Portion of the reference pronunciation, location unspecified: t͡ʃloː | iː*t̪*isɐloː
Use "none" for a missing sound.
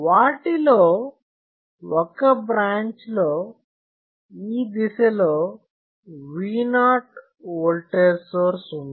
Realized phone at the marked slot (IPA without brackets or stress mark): d̪